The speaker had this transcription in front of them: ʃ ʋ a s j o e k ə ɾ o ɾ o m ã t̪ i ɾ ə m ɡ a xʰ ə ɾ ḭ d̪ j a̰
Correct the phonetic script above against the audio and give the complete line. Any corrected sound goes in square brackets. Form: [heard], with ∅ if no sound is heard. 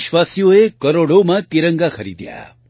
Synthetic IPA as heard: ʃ ʋ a s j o e k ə ɾ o [ɽ] o m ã t̪ i ɾ ə [ŋ] ɡ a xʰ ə ɾ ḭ d̪ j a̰